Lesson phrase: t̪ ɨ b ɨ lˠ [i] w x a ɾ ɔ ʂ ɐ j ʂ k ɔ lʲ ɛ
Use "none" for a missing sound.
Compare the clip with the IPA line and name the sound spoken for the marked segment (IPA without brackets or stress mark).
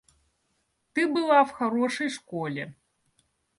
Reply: a